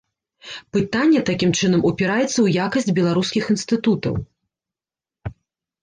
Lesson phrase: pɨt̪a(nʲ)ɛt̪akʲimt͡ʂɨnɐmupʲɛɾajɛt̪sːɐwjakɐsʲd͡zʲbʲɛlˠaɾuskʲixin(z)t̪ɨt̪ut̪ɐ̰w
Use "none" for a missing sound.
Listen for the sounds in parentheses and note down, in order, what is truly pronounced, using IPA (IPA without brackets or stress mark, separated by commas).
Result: nʲː, s